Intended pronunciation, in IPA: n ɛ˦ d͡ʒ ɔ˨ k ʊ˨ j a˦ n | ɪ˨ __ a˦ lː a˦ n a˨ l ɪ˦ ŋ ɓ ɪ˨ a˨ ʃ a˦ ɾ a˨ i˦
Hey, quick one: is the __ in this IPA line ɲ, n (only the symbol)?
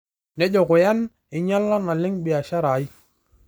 ɲ